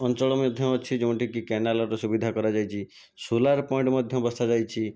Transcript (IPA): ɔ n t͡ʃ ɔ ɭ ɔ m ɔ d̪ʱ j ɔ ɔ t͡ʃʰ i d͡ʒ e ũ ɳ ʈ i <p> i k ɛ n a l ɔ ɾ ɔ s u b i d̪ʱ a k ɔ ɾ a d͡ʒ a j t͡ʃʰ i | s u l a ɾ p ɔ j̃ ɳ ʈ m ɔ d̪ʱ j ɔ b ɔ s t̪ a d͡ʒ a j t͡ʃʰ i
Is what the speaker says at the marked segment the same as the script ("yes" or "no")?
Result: no